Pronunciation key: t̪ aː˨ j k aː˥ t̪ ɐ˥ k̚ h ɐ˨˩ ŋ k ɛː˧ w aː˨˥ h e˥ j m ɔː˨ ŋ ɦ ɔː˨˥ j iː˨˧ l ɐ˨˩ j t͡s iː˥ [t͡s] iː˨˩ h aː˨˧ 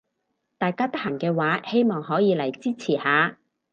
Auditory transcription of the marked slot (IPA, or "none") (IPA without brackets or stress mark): t͡sʰ